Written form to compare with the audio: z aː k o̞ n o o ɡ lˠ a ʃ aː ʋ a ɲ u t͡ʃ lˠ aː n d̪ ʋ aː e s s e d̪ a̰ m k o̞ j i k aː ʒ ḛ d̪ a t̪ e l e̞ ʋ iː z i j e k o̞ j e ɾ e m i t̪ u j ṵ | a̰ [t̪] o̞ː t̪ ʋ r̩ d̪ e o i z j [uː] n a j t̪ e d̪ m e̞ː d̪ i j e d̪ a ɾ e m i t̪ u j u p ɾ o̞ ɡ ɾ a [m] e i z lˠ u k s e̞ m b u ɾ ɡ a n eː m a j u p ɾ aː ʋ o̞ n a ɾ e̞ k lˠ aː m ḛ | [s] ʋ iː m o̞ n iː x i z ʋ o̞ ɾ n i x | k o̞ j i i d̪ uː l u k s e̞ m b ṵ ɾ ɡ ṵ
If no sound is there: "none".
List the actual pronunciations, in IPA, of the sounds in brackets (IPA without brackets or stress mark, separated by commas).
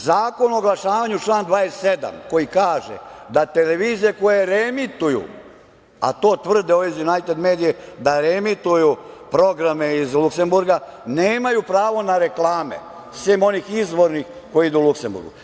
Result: t̪, u, m, s